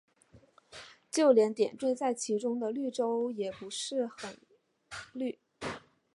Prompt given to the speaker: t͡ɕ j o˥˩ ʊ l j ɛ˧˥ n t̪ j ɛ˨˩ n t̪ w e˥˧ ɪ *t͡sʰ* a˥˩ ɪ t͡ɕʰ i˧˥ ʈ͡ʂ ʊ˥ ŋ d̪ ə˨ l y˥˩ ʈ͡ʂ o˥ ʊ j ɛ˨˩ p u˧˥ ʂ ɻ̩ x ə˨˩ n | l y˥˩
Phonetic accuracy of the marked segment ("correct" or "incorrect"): incorrect